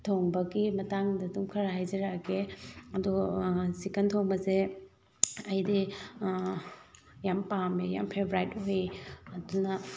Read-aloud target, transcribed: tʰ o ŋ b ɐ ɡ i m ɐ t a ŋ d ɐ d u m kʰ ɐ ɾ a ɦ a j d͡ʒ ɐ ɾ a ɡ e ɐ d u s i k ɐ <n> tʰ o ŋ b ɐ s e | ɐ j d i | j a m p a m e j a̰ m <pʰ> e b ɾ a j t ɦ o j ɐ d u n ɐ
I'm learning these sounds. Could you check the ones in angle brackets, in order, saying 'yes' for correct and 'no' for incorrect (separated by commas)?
yes, yes